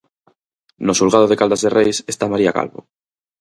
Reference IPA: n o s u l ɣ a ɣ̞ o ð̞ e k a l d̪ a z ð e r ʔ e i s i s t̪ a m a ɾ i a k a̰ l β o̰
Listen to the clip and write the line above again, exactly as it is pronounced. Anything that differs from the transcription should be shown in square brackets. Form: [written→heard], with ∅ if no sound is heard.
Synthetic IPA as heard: n o s u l ɣ a [ɣ̞→ð̞] o ð̞ e k a l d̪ a z ð e r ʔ e [i→j] s [i→e] s t̪ a m a ɾ i a k a̰ l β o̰